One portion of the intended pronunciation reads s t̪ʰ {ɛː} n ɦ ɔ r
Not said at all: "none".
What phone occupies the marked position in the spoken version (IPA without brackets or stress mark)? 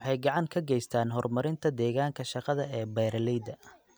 aː